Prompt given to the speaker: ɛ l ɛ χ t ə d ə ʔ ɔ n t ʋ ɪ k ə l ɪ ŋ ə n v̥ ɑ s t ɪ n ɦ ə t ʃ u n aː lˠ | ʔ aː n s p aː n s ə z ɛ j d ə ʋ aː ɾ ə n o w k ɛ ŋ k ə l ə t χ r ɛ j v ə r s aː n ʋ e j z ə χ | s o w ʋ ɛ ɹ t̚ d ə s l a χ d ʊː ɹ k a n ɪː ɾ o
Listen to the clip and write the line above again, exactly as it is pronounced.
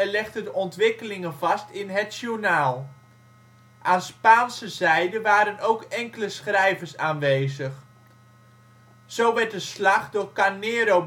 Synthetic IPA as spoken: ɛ l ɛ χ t ə d ə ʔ ɔ n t ʋ ɪ k ə l ɪ ŋ ə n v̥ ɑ s t ɪ n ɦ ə t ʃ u n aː lˠ | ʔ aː n s p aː n s ə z ɛ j d ə ʋ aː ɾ ə n o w k ɛ ŋ k ə l ə s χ r ɛ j v ə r s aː n ʋ e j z ə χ | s o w ʋ ɛ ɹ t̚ d ə s l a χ d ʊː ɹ k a n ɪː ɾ o

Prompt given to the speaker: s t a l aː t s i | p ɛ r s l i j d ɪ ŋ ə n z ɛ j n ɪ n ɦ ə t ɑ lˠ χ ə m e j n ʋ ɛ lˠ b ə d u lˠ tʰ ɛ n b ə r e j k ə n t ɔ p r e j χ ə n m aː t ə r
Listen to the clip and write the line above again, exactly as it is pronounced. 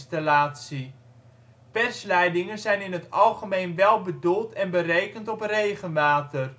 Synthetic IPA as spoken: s t a l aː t s i | p ɛ r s l ɛ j d ɪ ŋ ə n z ɛ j n ɪ n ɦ ə t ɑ lˠ χ ə m e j n ʋ ɛ lˠ b ə d u lˠ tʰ ɛ n b ə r e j k ə n t ɔ p r e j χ ə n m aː t ə r

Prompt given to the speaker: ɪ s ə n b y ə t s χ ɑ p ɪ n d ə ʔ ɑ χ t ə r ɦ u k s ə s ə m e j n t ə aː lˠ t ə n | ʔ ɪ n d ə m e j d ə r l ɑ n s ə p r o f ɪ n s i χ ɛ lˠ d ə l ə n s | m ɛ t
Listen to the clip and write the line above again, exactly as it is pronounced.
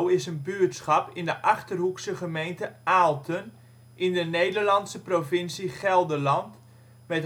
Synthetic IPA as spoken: ɪ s ə n b y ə t s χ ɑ p ɪ n d ə ʔ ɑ χ t ə r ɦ u k s ə χ ə m e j n t ə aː lˠ t ə n | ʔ ɪ n d ə n e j d ə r l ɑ n s ə p r o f ɪ n s i χ ɛ lˠ d ə l ɑ n t | m ɛ t

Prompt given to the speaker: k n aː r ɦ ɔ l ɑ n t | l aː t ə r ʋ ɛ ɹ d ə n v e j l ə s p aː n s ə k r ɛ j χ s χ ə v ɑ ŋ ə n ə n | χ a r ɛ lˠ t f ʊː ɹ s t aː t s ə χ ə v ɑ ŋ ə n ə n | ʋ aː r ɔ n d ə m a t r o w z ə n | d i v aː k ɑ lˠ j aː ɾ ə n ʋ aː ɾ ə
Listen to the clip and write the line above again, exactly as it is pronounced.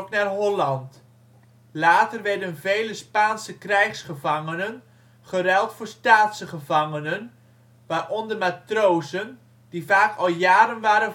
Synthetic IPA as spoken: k n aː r ɦ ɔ l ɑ n t | l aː t ə r ʋ ɛ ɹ d ə n v e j l ə s p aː n s ə k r ɛ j χ s χ ə v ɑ ŋ ə n ə n | χ ə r ɛ lˠ t f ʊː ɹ s t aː t s ə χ ə v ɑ ŋ ə n ə n | ʋ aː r ɔ n d ə m a t r o w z ə n | d i v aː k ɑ lˠ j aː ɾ ə n ʋ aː ɾ ə

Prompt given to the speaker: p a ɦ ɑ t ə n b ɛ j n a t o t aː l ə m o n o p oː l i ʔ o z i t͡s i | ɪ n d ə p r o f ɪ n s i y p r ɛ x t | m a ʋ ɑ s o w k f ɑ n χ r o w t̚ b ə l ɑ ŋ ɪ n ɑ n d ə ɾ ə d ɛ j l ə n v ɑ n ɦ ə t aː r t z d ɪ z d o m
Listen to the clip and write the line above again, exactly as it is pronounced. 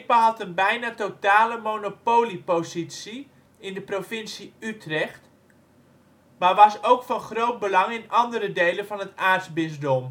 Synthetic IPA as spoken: p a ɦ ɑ t ə n b ɛ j n a t o t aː l ə m o n o p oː l i p o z i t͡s i | ɪ n d ə p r o f ɪ n s i y t r ɛ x t | m a ʋ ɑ s o w k f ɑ n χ r o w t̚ b ə l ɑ ŋ ɪ n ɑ n d ə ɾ ə d e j l ə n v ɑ n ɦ ə t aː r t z b ɪ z d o m

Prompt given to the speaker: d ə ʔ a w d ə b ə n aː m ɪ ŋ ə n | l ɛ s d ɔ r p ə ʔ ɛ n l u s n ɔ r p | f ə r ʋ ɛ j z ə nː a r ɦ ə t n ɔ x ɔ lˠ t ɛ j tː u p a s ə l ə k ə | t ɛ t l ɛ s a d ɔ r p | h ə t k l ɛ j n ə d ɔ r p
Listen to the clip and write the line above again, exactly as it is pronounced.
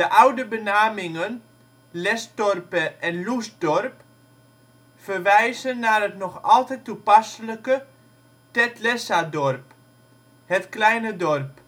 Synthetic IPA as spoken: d ə ʔ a w d ə b ə n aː m ɪ ŋ ə n | l ɛ s d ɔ r p ə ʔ ɛ n l u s d ɔ r p | f ə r ʋ ɛ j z ə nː a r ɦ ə t n ɔ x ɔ lˠ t ɛ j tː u p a s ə l ə k ə | t ɛ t l ɛ s a d ɔ r p | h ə t k l ɛ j n ə d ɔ r p

